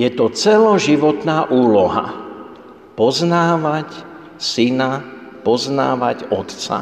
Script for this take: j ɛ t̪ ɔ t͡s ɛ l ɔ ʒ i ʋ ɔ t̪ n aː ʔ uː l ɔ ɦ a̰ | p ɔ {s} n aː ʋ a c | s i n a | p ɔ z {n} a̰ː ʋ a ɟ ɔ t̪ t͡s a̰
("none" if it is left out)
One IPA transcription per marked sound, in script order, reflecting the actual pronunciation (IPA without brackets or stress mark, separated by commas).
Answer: z, n